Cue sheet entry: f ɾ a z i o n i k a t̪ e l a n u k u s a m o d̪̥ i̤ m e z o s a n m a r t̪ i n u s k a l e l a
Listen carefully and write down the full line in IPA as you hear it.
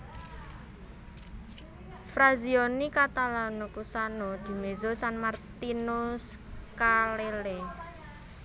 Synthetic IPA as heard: f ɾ a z i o n i k a t̪ a l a n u k u s a n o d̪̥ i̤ m e z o s a n m a r t̪ i n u s k a l e l e